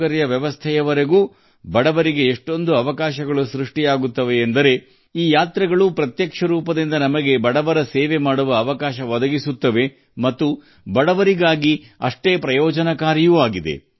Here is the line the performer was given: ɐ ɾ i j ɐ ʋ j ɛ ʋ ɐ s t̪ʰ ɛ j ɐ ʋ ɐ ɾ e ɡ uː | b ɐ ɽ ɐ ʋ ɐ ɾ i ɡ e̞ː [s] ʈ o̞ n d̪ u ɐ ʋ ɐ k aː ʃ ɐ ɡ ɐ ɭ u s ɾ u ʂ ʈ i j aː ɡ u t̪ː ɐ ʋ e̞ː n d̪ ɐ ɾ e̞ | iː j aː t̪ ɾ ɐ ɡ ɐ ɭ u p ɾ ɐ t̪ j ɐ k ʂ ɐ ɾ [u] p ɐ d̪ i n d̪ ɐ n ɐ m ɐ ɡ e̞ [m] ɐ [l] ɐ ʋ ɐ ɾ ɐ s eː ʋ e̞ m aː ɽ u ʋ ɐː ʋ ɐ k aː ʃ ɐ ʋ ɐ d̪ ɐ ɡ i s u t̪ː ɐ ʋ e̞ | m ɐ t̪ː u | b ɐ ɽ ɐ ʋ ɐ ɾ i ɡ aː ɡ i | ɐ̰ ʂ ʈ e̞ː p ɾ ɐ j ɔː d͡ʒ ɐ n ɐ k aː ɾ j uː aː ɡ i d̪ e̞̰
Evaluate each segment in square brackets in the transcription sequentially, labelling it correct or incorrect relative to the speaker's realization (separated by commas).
incorrect, incorrect, incorrect, incorrect